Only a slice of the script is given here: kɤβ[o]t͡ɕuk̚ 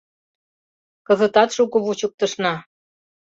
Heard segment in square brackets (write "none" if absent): u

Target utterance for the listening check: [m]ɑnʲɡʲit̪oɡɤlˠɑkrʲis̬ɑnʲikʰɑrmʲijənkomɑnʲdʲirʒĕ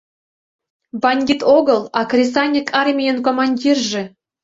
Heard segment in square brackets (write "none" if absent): b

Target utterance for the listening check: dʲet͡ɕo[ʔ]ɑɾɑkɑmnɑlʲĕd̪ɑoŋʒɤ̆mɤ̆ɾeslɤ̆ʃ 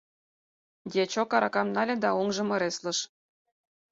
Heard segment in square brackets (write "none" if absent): k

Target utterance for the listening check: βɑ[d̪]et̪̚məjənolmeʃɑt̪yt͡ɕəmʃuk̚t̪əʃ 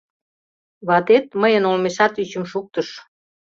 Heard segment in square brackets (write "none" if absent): t̪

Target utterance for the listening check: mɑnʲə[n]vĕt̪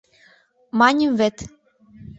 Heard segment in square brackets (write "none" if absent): m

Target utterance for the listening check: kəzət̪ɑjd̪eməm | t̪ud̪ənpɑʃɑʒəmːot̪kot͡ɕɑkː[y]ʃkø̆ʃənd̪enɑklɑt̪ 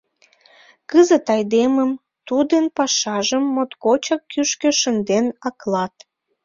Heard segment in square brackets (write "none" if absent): y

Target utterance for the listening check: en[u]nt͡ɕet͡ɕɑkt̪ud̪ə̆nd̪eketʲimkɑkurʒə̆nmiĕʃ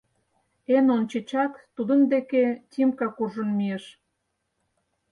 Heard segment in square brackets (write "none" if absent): o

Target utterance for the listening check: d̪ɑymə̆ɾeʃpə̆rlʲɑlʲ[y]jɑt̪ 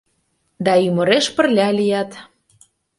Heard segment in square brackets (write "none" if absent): i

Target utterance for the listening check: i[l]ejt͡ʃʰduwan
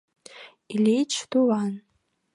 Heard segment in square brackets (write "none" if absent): l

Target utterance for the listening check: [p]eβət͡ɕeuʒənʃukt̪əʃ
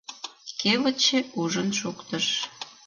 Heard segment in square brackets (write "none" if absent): k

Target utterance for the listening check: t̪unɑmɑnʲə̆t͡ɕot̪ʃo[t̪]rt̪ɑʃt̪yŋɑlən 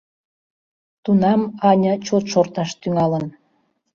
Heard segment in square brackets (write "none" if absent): none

